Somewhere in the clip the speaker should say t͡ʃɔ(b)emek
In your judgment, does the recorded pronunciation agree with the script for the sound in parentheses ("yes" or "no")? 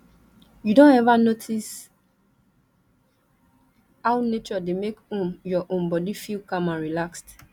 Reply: no